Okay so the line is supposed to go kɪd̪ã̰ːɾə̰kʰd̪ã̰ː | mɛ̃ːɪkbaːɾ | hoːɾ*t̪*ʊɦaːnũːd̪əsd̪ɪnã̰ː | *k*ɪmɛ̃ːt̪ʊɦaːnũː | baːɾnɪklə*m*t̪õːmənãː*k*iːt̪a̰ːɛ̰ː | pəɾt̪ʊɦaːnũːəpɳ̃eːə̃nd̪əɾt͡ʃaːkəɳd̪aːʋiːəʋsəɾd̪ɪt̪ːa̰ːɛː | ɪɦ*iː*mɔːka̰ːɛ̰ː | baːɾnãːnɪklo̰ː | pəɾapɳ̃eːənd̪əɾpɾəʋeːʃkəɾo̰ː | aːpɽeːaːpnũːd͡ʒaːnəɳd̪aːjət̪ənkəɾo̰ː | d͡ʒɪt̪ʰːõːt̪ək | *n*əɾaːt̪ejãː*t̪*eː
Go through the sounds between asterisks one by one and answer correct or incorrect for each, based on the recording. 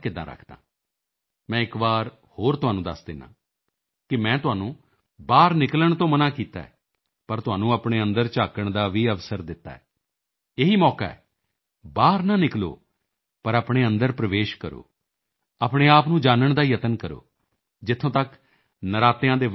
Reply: correct, correct, incorrect, correct, correct, correct, incorrect

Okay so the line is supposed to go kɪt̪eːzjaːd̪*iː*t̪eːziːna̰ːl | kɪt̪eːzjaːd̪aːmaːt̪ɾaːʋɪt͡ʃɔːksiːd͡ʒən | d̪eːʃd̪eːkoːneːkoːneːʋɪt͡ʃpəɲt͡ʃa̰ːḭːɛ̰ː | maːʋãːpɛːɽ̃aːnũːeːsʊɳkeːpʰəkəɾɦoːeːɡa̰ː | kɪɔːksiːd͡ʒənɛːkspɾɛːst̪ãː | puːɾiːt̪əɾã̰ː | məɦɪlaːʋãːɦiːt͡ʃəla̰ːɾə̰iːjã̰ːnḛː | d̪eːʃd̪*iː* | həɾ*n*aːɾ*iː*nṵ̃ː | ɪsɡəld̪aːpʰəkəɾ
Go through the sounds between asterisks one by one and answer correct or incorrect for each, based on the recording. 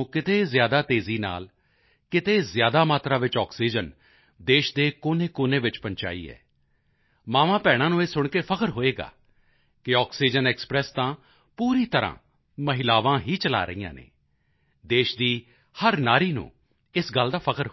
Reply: incorrect, correct, correct, correct

